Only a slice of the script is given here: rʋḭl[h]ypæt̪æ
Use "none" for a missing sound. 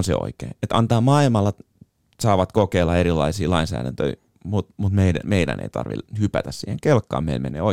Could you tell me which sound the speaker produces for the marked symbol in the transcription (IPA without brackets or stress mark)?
h